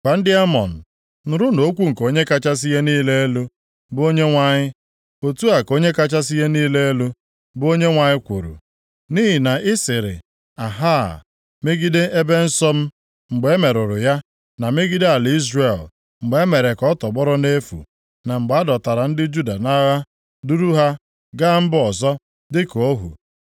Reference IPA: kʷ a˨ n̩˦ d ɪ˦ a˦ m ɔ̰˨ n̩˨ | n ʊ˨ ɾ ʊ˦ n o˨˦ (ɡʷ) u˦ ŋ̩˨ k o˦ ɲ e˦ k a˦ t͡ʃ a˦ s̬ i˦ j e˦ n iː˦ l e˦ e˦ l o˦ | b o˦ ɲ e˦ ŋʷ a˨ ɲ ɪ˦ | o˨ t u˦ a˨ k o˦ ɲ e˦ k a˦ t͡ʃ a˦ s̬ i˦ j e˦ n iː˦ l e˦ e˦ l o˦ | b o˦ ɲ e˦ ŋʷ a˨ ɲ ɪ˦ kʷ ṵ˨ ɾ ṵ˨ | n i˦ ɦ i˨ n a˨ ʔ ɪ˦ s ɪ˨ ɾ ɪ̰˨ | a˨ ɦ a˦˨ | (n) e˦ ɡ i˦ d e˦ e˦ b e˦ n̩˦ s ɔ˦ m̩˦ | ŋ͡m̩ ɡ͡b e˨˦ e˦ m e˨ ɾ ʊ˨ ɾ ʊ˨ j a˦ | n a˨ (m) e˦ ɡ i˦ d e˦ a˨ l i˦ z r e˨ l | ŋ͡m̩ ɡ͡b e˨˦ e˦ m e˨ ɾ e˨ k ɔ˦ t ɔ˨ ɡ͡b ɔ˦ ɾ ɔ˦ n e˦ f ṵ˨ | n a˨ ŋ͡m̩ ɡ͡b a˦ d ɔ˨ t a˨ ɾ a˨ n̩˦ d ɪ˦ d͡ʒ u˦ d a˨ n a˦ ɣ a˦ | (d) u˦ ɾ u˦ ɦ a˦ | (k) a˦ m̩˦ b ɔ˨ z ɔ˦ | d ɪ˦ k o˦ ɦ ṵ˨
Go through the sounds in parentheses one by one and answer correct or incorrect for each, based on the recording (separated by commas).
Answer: incorrect, incorrect, correct, correct, incorrect